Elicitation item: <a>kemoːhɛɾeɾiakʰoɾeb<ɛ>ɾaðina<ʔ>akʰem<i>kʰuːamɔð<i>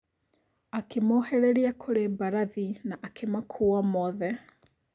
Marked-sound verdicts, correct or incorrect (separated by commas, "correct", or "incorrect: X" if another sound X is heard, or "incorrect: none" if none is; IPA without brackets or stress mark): correct, incorrect: a, correct, incorrect: a, incorrect: ɛ